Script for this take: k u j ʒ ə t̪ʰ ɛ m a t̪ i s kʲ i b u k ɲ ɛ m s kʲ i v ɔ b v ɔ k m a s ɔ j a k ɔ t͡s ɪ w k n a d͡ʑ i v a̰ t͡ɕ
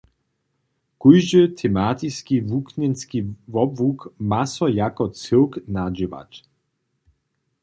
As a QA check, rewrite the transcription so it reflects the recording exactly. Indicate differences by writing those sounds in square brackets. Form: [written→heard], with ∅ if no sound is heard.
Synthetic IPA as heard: k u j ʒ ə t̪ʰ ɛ m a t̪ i s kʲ i [b→v] u k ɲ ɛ [m→n] s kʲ i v ɔ b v [ɔ→u] k m a s ɔ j a k ɔ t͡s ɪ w k n a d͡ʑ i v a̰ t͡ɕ